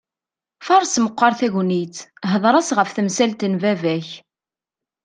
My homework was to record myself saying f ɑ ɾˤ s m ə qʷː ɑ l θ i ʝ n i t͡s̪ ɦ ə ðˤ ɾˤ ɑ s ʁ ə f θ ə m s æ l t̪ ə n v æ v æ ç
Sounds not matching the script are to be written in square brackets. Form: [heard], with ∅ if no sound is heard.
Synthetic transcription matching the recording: f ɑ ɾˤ s m ə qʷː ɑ [ɾ] θ [æ] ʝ n i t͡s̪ ɦ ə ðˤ ɾˤ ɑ s ʁ ə f θ ə m s æ l t̪ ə n v æ v æ ç